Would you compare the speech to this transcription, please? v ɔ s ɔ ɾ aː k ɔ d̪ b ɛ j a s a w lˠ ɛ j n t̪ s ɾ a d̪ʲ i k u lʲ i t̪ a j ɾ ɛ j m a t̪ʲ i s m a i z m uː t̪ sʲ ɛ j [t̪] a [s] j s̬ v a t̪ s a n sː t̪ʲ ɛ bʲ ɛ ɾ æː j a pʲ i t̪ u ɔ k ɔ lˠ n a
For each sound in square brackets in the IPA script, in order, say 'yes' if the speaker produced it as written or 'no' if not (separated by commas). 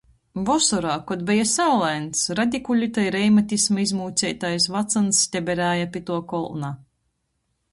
yes, no